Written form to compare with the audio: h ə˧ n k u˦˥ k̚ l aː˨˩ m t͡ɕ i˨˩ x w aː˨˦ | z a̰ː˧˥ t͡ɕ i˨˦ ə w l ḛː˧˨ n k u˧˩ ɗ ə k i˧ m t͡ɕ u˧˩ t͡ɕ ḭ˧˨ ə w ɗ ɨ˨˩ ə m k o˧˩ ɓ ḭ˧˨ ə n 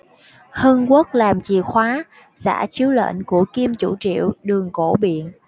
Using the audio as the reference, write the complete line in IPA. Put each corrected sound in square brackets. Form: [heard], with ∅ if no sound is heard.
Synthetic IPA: h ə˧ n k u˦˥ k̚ l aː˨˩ m t͡ɕ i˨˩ x w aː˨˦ | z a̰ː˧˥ t͡ɕ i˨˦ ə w l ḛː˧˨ n k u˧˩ [∅] ə k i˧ m t͡ɕ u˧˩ t͡ɕ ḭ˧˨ ə w ɗ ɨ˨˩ ə [ŋ] k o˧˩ ɓ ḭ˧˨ ə n